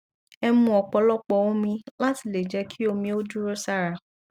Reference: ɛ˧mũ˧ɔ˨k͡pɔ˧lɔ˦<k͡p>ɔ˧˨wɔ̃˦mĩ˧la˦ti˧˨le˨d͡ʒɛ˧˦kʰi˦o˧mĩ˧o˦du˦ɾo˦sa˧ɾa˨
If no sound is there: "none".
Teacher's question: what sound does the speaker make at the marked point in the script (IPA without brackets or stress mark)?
k͡p